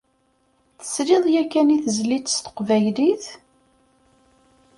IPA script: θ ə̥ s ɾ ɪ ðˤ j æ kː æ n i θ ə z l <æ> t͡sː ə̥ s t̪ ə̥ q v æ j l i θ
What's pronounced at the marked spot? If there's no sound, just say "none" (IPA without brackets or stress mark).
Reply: i